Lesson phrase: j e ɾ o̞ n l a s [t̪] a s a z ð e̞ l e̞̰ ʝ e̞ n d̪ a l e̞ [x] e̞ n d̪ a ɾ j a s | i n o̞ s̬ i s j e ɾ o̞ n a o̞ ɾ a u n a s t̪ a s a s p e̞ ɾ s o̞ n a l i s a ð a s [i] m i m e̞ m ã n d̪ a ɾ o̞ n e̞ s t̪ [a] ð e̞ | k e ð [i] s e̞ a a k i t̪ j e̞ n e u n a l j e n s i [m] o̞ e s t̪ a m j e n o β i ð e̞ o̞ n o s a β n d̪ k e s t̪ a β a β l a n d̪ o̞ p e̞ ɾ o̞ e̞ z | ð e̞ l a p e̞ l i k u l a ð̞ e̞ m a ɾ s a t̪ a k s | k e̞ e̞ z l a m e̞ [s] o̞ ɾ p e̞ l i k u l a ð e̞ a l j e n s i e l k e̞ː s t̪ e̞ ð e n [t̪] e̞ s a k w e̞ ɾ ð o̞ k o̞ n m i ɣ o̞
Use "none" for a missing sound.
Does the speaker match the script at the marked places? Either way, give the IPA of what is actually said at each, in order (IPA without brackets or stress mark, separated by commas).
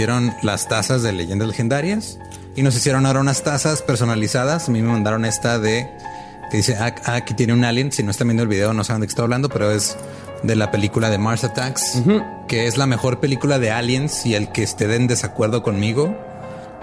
t̪, x, a, a, i, n, x, d̪